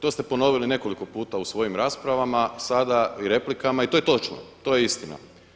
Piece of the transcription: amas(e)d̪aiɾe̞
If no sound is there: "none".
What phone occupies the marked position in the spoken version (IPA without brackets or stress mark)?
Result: a